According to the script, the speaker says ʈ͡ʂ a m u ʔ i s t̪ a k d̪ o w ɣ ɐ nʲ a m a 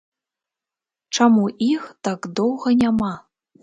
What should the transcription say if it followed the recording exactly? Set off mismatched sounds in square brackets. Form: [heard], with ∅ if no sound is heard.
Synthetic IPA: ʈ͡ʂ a m u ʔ i [x] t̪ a k d̪ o w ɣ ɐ nʲ a m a